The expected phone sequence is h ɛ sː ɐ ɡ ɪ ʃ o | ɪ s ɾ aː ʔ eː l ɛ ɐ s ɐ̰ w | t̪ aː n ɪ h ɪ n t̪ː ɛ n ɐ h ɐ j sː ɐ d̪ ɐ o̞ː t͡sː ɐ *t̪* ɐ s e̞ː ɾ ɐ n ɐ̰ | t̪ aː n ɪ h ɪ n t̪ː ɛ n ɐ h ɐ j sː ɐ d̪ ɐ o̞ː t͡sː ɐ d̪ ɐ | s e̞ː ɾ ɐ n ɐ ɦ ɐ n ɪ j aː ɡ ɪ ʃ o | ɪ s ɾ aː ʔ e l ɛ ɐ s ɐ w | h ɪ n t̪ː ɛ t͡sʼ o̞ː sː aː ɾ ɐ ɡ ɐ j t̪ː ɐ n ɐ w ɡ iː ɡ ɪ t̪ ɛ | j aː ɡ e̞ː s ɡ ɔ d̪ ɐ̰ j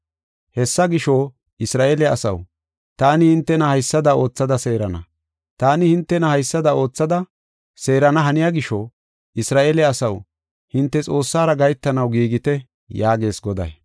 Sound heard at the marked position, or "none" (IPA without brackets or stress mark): d̪